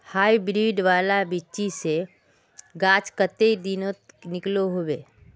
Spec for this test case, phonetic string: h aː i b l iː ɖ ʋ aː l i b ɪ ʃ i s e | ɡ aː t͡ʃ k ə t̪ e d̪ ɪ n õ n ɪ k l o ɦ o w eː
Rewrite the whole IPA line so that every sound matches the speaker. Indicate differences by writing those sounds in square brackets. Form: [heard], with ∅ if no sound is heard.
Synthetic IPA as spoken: h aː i b [ɾ] iː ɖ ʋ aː l [a] b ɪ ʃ i s e | ɡ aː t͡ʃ k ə t̪ e d̪ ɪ n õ n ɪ k l o ɦ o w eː